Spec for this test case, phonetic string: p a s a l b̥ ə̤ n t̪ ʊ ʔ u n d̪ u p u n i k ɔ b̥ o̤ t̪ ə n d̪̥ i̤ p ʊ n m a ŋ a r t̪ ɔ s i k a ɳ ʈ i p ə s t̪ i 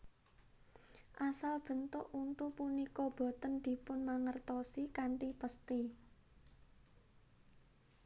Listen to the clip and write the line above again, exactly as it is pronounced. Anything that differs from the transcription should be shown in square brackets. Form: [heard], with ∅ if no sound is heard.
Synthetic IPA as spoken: [ʔ] a s a l b̥ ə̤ n t̪ ʊ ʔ u n [t̪] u p u n i k ɔ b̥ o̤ t̪ ə n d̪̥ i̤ p ʊ n m a ŋ [ə] r t̪ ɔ s i k a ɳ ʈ i p ə s t̪ i